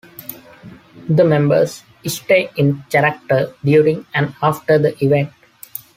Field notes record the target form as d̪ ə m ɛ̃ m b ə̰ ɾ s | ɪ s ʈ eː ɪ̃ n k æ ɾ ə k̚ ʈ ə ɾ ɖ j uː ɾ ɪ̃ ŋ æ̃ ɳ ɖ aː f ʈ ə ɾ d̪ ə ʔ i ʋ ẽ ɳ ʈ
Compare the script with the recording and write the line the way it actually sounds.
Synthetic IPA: d̪ ə m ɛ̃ m b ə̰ ɾ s | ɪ s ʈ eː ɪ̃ n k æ ɾ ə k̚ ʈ ə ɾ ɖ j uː ɾ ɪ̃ ŋ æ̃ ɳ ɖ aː f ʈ ə ɾ d̪ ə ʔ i ʋ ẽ ɳ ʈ